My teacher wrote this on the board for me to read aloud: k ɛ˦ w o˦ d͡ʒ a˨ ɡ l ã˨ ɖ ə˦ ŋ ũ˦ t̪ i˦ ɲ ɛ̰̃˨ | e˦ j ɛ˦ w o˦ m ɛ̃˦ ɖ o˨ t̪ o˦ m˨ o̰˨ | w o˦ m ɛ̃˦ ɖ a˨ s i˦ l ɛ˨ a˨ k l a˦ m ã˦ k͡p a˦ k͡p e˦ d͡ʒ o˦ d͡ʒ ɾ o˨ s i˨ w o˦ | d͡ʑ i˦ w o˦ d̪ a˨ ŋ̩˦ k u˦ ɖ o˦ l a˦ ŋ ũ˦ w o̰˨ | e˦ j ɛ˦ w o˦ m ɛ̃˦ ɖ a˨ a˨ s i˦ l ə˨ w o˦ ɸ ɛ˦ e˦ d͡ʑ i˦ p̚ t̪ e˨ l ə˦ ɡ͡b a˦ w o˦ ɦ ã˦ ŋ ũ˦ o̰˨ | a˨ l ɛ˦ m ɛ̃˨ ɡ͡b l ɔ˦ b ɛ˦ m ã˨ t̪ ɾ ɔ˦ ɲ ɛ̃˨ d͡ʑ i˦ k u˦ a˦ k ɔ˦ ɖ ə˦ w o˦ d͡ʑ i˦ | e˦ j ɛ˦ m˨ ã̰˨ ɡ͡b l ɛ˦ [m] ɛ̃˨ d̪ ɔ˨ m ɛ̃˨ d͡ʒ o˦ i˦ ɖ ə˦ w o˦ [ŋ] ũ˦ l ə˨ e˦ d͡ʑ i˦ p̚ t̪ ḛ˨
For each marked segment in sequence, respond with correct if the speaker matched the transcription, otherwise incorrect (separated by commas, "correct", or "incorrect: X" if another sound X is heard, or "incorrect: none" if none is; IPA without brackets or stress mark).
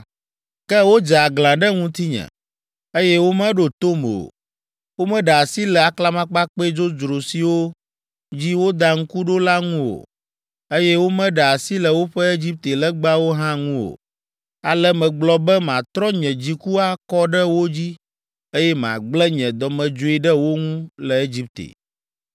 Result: incorrect: ɲ, correct